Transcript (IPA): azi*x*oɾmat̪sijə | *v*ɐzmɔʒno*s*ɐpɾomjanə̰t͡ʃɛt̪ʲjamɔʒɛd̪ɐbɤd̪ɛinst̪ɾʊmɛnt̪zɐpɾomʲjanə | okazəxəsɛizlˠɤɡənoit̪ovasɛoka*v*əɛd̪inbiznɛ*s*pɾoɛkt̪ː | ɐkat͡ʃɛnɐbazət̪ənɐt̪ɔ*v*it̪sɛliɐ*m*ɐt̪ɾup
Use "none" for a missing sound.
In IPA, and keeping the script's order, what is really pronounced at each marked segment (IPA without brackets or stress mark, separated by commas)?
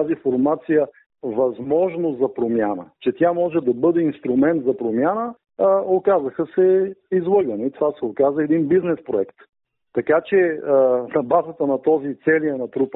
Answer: f, v, z, z, s, z, n